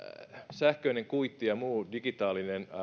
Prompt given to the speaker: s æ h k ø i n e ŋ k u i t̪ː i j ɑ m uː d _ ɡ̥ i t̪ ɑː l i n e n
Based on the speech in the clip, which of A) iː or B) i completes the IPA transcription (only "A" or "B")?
B